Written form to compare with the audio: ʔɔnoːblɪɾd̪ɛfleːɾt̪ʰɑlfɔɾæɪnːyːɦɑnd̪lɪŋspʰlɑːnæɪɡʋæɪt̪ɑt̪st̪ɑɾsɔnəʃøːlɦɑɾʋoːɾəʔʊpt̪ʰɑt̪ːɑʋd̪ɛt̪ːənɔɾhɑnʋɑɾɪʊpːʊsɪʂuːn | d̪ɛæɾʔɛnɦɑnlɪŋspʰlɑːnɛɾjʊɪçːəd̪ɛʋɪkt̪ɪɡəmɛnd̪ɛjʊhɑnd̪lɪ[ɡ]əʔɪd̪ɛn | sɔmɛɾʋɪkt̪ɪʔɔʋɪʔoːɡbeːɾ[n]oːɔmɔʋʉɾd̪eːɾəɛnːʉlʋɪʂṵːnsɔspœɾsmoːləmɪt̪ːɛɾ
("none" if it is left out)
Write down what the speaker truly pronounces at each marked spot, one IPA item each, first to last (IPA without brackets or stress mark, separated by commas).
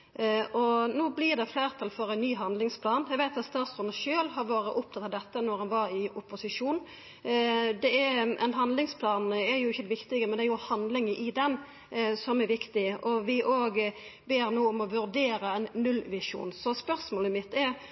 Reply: ŋ, n